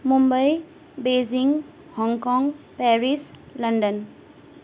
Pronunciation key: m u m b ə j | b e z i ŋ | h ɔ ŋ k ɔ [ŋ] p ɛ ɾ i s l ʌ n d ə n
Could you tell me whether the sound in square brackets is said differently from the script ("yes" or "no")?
no